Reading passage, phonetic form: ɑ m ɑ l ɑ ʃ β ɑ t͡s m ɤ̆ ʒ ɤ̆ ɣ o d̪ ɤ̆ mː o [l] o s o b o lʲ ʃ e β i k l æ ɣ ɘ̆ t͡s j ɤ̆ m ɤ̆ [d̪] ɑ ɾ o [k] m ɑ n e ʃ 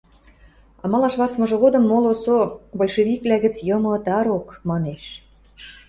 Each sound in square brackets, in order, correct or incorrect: correct, incorrect, correct

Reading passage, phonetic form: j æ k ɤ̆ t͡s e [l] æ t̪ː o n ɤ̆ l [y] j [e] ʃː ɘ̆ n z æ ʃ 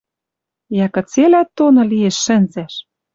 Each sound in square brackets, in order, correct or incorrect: correct, incorrect, correct

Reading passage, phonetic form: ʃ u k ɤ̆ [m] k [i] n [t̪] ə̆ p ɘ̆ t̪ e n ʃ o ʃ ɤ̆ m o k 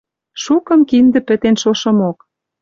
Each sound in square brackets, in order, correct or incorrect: correct, correct, incorrect

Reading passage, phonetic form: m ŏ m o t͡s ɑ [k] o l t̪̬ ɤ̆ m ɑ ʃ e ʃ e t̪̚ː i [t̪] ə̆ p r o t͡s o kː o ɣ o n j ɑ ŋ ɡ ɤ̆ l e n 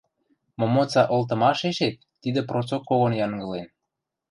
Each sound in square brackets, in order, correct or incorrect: incorrect, incorrect

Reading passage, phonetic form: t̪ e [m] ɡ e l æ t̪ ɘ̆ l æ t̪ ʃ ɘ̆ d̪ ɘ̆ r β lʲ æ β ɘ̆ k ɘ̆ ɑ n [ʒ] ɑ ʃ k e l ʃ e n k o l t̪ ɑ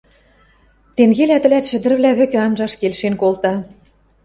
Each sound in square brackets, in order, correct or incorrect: incorrect, correct

